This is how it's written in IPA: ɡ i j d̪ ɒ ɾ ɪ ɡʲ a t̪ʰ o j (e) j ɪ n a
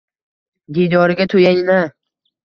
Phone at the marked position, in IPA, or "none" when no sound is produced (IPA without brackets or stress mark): a